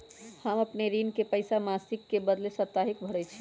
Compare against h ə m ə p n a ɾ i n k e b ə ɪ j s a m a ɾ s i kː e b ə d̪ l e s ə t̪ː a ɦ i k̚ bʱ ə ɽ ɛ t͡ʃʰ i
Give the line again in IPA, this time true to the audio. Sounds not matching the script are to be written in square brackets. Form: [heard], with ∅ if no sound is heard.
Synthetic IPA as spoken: h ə m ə p n [e] ɾ i n k e [p] ə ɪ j s a m a [∅] s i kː e b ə d̪ l e s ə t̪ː a ɦ i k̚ bʱ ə ɽ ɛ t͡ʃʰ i